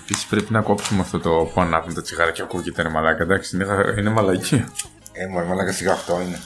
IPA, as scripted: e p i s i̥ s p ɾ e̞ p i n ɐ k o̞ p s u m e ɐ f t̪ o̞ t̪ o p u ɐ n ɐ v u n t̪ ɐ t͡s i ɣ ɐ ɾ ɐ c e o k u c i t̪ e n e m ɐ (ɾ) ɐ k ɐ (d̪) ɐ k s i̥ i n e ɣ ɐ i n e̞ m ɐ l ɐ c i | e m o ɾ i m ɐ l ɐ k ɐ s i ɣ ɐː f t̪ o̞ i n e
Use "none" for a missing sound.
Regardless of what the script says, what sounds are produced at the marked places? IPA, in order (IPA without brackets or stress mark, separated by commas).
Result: l, d̪